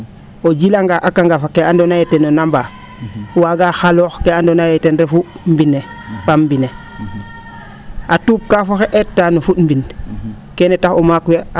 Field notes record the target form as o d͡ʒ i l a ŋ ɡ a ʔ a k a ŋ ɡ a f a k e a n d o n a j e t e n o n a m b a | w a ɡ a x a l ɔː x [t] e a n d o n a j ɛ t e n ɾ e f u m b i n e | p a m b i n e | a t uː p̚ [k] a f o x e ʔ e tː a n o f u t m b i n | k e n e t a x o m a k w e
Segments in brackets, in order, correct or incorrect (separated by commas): incorrect, correct